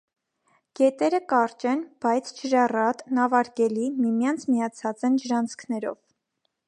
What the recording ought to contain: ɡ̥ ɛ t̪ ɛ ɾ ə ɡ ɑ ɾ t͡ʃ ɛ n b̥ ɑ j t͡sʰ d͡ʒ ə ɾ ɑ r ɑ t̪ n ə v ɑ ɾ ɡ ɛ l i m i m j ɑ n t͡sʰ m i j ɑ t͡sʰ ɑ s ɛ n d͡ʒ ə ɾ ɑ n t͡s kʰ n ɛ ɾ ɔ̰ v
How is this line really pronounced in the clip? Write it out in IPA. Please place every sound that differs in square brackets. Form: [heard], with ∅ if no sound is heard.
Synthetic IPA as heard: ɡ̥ ɛ t̪ ɛ ɾ ə [k] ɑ ɾ t͡ʃ ɛ n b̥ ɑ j t͡sʰ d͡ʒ ə ɾ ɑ r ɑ t̪ n [ɑ] v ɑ ɾ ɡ ɛ l i m i m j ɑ n t͡sʰ m i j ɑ t͡sʰ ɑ [t͡s] ɛ n d͡ʒ ə ɾ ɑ n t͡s kʰ n ɛ ɾ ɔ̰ v